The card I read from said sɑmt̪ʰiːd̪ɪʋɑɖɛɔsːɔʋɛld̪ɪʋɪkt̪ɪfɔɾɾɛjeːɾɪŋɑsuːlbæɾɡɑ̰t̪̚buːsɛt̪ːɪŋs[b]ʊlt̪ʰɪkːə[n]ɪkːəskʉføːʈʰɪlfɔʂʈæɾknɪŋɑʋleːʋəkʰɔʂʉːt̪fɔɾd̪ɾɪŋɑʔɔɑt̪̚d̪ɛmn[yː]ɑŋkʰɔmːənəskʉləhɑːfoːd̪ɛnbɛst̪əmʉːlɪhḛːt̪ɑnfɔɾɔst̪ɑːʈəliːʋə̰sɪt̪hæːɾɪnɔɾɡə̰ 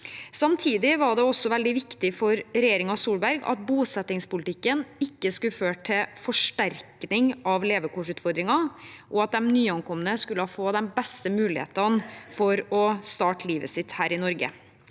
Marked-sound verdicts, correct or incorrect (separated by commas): incorrect, correct, correct